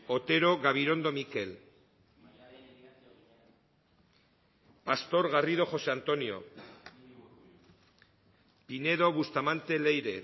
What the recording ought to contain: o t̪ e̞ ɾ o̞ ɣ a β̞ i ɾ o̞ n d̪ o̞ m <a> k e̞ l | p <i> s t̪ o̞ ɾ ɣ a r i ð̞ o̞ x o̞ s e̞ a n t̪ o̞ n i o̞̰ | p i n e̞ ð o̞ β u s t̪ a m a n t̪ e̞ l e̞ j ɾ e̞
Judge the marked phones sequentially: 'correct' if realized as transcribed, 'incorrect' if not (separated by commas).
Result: incorrect, incorrect